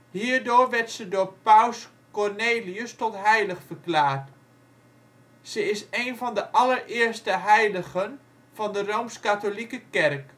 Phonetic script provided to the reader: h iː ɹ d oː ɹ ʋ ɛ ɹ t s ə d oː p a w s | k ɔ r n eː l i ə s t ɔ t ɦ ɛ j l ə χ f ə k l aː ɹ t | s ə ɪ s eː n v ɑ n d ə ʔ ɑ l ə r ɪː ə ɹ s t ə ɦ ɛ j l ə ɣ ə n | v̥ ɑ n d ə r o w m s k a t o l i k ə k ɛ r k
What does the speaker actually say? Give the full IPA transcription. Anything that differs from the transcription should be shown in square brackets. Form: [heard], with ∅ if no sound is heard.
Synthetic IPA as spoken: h iː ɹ d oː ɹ ʋ ɛ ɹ t s ə d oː p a w s | k ɔ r n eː l i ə s t ɔ t ɦ ɛ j l ə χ f ə k l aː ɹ t | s ə ɪ s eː n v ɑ n d ə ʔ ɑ l ə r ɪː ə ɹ s t ə ɦ ɛ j l ə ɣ ə n | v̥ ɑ n d ə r o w m s k a t o l i k ə k ɛ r k